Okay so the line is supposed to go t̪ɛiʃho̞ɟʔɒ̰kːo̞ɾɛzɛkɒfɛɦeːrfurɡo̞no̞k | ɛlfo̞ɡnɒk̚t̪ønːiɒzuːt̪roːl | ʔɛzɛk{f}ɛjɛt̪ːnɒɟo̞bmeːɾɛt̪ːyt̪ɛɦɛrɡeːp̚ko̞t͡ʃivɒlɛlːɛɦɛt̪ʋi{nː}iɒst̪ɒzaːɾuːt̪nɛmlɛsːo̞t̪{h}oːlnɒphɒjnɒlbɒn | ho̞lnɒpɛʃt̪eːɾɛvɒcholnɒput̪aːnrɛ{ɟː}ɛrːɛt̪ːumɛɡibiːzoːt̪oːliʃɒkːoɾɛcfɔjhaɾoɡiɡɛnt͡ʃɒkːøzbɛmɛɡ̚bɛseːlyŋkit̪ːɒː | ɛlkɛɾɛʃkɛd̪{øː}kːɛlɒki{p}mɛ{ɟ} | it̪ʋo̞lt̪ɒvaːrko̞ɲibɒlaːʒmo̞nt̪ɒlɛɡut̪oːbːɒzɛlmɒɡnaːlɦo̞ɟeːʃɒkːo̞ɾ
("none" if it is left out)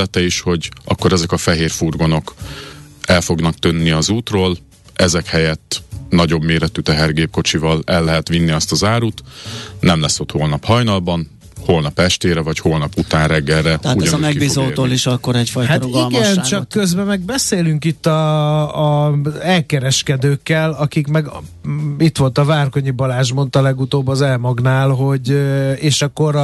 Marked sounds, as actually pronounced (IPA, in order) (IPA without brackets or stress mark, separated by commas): h, nː, h, ɡː, øː, k, ɡ